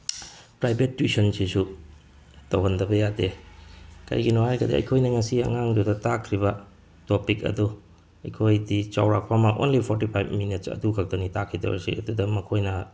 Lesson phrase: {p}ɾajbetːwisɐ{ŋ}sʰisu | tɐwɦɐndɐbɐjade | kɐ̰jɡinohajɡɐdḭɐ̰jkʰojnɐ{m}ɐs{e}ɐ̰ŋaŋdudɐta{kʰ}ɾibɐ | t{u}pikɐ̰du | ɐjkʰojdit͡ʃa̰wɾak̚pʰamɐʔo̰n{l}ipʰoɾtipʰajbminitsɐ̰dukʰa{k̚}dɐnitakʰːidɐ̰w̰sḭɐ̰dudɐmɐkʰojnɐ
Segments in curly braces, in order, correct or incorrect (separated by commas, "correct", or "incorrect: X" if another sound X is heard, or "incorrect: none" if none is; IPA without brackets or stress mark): correct, incorrect: n, incorrect: ŋ, incorrect: i, correct, incorrect: o, correct, correct